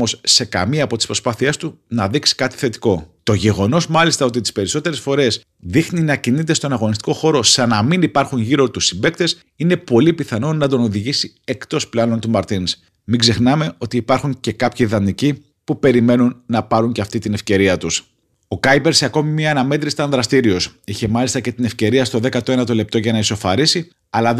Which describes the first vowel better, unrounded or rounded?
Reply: rounded